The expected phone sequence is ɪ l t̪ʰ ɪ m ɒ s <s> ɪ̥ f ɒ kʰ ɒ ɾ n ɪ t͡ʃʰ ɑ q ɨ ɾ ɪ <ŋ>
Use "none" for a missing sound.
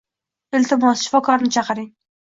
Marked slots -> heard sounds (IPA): ʃ, ŋ

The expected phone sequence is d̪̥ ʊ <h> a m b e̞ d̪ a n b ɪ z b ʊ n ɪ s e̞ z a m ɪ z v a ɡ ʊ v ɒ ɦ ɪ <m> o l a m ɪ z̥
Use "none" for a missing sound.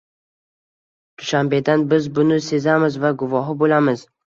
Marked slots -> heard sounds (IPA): ʃ, b

